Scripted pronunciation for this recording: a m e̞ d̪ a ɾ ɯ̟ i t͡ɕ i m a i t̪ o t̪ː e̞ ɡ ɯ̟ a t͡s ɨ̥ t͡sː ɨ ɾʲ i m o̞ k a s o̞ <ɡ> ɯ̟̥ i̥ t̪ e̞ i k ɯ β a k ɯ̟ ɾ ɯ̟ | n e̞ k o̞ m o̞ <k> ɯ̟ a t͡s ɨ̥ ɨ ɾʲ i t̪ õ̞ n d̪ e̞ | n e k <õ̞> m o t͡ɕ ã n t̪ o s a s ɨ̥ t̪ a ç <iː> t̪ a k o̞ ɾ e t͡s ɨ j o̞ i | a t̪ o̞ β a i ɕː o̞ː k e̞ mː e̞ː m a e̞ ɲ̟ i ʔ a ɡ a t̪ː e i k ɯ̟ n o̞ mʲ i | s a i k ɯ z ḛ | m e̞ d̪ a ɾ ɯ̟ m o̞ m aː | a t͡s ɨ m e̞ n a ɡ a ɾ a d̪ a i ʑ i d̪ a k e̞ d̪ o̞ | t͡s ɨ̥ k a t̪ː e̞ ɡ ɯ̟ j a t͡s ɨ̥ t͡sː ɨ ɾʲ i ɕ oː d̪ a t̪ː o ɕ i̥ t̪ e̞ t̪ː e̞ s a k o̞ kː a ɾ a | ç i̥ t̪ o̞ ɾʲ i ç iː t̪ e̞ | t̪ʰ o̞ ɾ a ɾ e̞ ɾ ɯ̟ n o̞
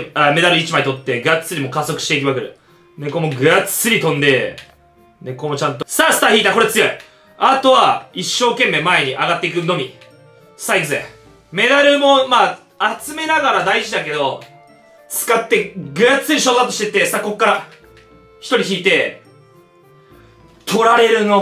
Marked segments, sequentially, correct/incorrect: incorrect: k, incorrect: ɡ, incorrect: o̞, correct

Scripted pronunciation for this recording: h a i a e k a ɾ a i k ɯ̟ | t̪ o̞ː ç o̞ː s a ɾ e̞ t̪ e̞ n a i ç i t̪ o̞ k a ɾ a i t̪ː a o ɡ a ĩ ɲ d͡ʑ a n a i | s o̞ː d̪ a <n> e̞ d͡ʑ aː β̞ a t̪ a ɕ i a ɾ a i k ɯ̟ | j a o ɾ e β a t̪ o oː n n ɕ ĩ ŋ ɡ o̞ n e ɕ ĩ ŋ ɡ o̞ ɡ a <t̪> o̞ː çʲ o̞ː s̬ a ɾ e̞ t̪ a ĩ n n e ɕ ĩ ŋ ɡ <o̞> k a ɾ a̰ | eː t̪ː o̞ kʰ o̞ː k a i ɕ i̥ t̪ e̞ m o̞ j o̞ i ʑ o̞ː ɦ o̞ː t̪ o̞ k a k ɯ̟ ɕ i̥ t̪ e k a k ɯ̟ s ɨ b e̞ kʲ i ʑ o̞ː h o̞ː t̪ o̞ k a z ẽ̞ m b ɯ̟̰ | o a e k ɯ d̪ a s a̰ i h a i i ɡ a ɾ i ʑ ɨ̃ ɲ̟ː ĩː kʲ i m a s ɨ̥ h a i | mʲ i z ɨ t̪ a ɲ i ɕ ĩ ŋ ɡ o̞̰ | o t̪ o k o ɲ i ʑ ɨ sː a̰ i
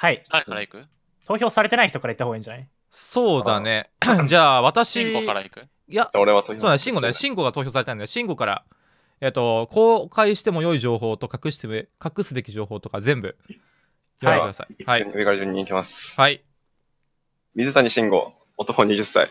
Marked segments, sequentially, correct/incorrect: correct, correct, correct

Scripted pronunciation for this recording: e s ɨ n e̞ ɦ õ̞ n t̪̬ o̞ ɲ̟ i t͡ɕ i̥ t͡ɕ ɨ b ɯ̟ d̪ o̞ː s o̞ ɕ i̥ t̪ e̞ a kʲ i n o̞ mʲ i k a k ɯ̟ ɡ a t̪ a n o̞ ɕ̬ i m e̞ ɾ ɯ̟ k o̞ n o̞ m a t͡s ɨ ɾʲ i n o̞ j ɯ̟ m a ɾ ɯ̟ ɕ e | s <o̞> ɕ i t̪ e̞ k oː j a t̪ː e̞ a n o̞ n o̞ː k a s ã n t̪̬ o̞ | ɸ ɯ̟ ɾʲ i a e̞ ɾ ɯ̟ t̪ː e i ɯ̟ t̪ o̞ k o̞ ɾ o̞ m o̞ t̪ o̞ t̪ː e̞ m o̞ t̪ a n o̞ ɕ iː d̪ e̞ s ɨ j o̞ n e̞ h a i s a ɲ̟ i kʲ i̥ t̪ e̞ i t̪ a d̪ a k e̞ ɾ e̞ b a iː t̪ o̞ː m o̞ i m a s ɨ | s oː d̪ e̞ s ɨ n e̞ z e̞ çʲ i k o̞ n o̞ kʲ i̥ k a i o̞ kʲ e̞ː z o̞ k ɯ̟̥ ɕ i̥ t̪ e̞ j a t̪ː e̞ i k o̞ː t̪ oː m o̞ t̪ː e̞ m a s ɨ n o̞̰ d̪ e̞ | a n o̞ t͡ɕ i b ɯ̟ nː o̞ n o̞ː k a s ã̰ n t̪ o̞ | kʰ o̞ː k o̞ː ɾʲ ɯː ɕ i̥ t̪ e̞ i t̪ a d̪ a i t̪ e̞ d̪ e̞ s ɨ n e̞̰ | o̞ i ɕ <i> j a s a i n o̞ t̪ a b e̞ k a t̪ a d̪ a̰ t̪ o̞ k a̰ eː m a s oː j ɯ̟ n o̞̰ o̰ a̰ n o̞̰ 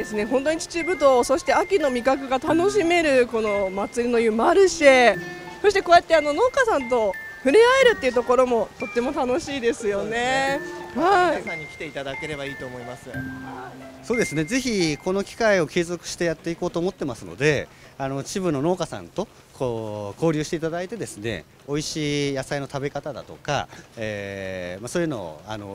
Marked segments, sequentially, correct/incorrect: correct, incorrect: iː

